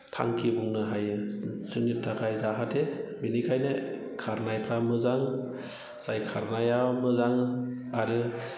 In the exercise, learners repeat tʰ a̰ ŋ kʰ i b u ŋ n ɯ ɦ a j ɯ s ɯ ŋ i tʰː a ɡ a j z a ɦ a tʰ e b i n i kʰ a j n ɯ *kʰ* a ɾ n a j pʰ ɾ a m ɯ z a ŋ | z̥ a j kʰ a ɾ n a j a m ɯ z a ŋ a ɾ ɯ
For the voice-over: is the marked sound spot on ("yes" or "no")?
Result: yes